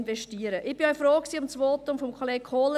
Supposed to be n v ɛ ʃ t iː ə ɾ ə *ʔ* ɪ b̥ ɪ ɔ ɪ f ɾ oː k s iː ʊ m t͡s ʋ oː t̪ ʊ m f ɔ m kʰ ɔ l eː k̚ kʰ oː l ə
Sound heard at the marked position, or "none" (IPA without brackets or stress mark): ʔ